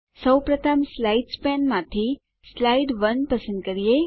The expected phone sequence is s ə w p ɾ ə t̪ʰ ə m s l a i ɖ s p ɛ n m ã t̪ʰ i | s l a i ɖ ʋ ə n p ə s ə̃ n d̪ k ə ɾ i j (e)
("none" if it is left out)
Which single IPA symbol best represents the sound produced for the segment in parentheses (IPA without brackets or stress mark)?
e